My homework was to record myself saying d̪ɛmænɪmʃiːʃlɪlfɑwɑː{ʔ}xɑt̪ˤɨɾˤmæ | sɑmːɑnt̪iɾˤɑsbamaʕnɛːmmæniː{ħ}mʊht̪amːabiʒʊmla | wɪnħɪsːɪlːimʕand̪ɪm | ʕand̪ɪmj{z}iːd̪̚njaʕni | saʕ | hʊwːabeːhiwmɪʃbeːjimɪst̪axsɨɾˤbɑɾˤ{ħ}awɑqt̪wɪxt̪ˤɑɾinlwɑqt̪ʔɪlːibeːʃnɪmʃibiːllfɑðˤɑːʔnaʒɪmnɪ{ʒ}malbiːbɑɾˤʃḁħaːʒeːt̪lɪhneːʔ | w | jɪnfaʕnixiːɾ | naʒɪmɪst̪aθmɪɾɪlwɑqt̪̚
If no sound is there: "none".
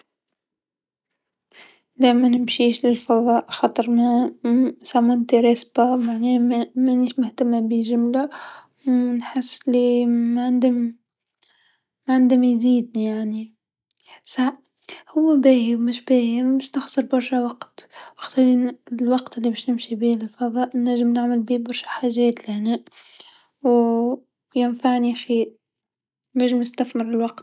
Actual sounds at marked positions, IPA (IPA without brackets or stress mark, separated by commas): ʔ, ʃ, z, ʃ, ʕ